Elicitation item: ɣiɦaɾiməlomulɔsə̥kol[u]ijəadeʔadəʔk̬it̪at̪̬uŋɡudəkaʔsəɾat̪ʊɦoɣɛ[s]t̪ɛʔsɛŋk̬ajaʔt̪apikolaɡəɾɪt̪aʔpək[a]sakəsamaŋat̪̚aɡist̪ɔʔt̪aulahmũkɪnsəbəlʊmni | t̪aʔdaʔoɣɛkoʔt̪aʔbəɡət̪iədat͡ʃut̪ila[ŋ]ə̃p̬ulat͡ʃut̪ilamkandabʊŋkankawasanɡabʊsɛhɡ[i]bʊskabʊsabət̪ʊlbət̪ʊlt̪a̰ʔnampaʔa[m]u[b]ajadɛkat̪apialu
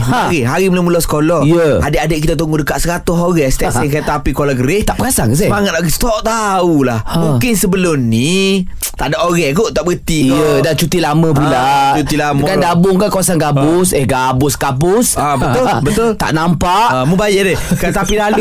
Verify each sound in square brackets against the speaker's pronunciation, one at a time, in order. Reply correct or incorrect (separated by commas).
incorrect, correct, correct, incorrect, incorrect, correct, correct